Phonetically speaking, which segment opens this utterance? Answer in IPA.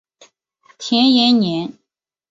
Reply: t̪ʰ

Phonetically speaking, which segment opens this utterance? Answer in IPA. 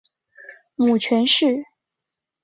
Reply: m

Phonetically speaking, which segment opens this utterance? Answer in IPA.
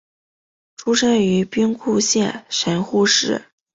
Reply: ʈ͡ʂʰ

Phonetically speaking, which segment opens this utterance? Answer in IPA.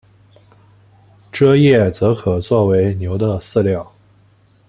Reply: ʈ͡ʂ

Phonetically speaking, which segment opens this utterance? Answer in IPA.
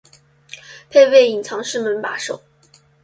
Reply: pʰ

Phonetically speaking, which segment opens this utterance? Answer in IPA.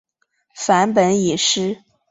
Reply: f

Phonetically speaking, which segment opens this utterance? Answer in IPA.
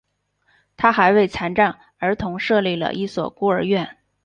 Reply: t̪ʰ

